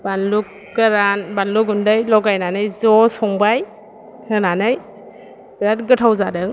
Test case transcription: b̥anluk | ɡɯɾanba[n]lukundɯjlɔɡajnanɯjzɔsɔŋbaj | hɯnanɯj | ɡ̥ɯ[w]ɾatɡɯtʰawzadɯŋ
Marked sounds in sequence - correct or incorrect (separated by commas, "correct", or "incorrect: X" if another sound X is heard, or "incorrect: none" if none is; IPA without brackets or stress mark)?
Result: correct, incorrect: none